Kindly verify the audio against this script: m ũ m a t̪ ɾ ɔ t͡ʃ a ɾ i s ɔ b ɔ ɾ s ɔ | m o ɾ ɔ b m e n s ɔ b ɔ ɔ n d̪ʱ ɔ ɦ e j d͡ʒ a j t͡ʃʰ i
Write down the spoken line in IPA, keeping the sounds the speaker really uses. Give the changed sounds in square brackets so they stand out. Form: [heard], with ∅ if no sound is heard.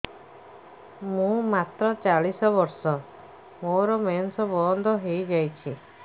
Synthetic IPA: m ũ m a t̪ ɾ ɔ t͡ʃ a [ɭ] i s ɔ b ɔ ɾ s ɔ | m o ɾ ɔ [∅] m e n s ɔ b ɔ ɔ n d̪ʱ ɔ ɦ e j d͡ʒ a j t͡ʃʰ i